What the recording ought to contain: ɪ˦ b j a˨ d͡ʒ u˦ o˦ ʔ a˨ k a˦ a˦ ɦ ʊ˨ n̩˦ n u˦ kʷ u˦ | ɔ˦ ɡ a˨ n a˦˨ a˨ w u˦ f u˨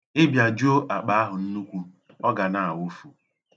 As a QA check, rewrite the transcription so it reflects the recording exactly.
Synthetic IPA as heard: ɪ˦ b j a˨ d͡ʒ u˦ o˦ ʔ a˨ k͡p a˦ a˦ ɦ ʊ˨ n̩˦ n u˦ kʷ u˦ | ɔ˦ ɡ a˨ n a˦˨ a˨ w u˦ f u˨